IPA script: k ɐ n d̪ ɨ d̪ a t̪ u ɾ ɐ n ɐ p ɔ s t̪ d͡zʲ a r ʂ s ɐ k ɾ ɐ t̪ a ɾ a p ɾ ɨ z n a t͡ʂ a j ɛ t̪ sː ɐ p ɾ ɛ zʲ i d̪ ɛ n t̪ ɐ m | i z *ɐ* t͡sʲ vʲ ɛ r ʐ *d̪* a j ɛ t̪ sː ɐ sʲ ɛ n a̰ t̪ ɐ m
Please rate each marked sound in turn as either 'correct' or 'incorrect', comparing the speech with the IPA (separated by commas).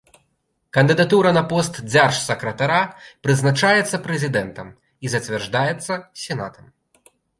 correct, correct